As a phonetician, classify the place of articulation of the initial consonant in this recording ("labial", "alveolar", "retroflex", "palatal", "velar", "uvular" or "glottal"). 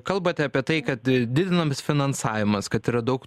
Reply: velar